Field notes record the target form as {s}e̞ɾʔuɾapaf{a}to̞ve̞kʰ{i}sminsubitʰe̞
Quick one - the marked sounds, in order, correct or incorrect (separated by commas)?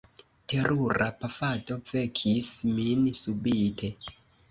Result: incorrect, correct, correct